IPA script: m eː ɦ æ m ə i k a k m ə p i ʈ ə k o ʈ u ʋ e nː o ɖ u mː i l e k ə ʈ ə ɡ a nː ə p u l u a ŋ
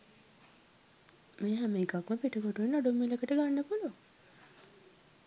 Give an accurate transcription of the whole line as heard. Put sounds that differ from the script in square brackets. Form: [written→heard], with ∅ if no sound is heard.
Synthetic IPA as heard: m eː ɦ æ m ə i k a k m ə p i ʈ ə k o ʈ u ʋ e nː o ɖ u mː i l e k ə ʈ ə ɡ a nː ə p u l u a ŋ